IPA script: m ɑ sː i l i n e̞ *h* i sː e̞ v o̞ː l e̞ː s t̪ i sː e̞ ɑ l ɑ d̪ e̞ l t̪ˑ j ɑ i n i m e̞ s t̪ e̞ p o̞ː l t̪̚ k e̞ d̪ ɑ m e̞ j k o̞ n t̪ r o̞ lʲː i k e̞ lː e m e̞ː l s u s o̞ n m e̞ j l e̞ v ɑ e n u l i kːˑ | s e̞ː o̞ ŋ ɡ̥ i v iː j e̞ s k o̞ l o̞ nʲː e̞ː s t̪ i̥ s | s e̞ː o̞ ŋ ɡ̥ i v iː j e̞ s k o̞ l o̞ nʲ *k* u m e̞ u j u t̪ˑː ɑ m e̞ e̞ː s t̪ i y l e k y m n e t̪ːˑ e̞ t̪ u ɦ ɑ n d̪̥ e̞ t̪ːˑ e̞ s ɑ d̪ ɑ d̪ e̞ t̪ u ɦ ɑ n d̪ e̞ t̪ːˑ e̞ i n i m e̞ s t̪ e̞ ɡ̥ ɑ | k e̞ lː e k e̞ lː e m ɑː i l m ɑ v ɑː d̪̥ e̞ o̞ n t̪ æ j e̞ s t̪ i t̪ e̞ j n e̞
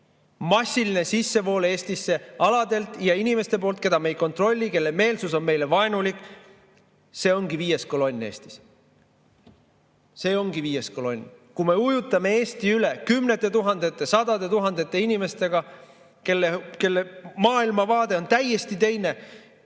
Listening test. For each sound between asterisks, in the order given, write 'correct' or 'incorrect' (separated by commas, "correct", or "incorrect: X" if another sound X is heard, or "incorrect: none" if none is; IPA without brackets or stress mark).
incorrect: s, correct